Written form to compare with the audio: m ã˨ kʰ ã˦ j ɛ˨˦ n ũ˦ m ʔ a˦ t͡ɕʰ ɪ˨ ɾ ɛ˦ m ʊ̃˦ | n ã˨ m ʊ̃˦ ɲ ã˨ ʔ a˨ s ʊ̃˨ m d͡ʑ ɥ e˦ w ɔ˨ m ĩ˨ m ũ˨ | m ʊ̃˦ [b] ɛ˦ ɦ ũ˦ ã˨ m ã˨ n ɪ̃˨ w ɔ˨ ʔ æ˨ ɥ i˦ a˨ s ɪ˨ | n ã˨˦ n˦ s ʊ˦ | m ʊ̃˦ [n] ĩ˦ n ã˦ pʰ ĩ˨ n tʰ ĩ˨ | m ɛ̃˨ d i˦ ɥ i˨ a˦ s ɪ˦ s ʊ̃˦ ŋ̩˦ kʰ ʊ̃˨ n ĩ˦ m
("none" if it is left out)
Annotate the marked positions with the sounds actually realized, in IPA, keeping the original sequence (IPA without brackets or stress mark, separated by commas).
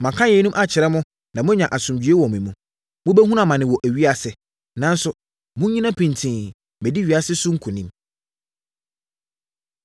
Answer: b, ɲ